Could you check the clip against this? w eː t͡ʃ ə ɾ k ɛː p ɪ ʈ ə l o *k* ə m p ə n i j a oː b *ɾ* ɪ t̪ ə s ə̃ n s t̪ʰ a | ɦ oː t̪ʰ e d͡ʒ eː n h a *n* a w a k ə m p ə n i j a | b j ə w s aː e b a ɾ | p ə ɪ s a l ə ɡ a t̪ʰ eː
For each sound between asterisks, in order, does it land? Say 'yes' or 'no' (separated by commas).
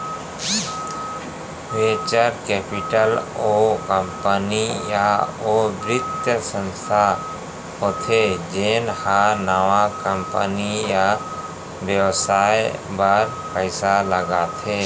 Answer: yes, yes, yes